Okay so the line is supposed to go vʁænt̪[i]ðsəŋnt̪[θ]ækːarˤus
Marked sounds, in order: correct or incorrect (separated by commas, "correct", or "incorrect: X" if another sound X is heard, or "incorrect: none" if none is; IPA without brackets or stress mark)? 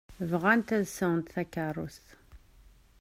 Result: incorrect: æ, correct